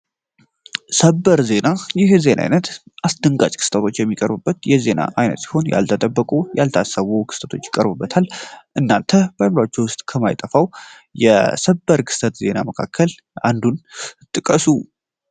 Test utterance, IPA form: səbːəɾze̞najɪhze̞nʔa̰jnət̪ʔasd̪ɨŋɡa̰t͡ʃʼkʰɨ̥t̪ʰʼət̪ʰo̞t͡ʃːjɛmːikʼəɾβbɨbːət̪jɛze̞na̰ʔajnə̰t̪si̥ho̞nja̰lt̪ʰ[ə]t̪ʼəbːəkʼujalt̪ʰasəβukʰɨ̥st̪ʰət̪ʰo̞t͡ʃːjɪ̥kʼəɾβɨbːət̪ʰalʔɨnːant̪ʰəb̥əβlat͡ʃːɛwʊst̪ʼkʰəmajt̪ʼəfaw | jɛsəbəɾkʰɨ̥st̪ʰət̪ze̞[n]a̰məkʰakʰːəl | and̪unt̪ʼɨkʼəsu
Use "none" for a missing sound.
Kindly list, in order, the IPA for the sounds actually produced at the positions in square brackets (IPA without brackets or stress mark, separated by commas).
ə, n